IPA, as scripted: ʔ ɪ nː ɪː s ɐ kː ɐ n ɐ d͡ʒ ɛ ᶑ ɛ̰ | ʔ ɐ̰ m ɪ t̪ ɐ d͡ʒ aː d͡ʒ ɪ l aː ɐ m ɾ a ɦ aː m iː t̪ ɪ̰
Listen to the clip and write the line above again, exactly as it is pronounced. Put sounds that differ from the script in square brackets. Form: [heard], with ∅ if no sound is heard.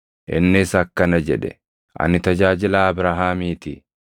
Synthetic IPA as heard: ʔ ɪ nː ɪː s ɐ kː ɐ n ɐ d͡ʒ ɛ ᶑ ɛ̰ | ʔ ɐ̰ [n] ɪ t̪ ɐ d͡ʒ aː d͡ʒ ɪ l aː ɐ [b] ɾ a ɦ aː m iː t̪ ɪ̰